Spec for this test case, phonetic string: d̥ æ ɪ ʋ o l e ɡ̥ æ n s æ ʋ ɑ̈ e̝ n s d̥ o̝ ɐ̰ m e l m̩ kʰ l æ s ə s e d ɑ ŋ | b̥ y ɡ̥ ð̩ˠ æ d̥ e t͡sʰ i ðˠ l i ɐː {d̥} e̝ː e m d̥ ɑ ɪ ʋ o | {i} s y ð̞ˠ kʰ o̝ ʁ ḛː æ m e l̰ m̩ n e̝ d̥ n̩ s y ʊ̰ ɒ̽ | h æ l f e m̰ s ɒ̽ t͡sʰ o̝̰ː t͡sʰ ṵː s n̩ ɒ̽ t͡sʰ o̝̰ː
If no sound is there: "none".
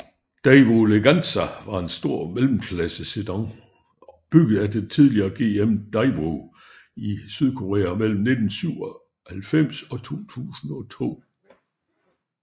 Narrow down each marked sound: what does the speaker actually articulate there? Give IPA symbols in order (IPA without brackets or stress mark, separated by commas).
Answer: ɡ̥, i